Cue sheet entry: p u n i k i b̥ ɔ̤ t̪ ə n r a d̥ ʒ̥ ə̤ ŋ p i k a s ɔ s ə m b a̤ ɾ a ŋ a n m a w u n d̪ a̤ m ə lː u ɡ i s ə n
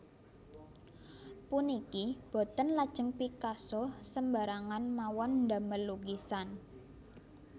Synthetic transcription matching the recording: p u n i k i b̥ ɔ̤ t̪ ə n l a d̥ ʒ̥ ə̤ ŋ p i k a s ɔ s ə m b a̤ ɾ a ŋ a n m a w ɔ n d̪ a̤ m ə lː u ɡ i s a n